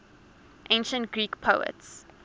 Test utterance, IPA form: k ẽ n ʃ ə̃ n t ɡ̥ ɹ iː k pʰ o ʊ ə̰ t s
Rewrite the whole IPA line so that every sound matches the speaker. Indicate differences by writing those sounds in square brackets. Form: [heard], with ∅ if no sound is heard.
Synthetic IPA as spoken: [ʔ] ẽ n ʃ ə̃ n t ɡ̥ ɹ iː k pʰ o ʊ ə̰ t s